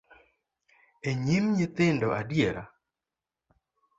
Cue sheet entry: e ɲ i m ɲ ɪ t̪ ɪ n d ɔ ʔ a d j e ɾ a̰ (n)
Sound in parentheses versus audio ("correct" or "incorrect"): incorrect